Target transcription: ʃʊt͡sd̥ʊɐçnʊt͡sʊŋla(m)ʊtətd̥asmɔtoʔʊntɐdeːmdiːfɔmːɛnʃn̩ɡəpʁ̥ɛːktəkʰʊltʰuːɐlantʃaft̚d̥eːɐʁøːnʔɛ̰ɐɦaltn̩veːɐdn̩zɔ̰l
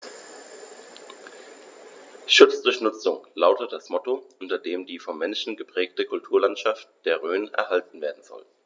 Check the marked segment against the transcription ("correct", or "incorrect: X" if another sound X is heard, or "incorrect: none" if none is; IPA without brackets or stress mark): incorrect: none